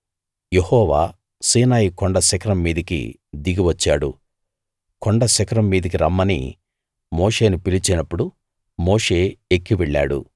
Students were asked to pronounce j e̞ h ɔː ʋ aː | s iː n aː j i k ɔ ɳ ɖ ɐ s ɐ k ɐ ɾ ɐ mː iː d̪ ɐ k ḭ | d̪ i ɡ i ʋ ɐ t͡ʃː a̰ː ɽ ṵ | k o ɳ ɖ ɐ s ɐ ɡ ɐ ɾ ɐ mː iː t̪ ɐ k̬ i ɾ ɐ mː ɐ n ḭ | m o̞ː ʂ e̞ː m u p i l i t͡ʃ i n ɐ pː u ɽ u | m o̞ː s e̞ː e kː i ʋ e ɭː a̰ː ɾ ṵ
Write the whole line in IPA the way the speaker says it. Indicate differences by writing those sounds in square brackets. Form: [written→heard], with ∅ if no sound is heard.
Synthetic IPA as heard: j e̞ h ɔː ʋ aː | s iː n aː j i k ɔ ɳ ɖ ɐ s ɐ k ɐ ɾ ɐ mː iː d̪ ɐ k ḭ | d̪ i ɡ i ʋ ɐ t͡ʃː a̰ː ɽ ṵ | k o ɳ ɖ ɐ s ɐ [ɡ→k] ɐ ɾ ɐ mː iː [t̪→d̪] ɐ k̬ i ɾ ɐ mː ɐ n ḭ | m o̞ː ʂ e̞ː [m→n] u p i l i t͡ʃ i n ɐ pː u ɽ u | m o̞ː [s→ʂ] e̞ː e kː i ʋ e ɭː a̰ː [ɾ→ɽ] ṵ